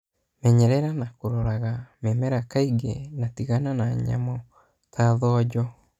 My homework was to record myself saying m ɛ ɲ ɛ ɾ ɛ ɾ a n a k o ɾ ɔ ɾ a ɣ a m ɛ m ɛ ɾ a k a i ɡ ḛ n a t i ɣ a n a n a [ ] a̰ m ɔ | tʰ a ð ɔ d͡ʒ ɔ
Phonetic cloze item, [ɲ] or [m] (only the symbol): ɲ